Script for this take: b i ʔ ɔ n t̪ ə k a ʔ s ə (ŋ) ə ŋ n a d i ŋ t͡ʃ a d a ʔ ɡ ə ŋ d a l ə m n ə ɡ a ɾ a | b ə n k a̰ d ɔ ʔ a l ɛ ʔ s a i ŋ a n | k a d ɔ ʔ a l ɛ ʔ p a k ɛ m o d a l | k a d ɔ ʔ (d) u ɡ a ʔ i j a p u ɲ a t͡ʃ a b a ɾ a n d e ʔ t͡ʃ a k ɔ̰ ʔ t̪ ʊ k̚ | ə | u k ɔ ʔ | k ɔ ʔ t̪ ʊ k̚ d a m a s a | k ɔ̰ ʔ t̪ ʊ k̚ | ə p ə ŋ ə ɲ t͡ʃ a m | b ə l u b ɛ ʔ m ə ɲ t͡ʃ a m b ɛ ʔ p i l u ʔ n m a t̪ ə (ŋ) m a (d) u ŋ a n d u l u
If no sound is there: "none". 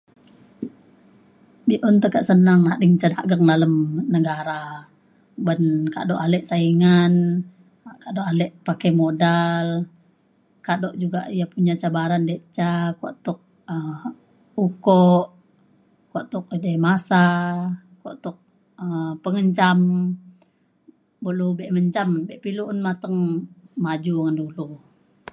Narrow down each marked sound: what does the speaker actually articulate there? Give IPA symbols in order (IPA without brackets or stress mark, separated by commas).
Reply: n, d͡ʒ, ŋ, d͡ʒ